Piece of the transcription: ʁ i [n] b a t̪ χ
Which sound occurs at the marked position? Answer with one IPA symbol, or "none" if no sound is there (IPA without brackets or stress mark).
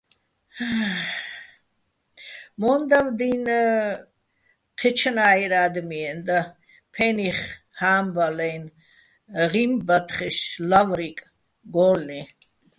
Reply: m